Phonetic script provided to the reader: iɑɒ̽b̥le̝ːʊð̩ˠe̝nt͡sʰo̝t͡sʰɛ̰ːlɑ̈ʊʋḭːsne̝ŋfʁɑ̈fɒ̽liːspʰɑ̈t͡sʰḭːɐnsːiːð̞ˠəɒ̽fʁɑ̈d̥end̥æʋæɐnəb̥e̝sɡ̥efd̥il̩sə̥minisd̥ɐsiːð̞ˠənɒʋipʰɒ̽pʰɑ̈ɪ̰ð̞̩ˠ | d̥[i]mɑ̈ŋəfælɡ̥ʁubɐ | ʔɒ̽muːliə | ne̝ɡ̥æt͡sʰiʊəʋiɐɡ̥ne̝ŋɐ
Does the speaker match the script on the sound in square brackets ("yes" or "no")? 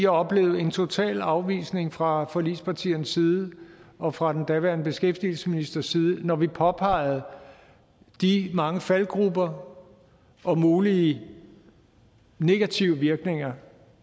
yes